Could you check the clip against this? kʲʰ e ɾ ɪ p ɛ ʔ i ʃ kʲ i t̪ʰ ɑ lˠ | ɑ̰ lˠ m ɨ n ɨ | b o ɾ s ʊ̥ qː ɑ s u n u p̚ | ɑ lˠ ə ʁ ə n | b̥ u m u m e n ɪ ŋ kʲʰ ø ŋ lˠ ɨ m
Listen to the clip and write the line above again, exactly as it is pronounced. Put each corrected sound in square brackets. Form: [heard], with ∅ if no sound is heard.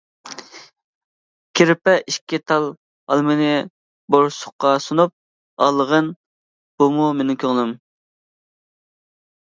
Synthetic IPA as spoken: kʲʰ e ɾ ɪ p ɛ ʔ i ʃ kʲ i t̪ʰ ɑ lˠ | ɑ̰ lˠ m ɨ n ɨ | b o ɾ s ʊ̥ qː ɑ s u n u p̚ | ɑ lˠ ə ʁ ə n | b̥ u m u m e n ɪ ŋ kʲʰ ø ŋ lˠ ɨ m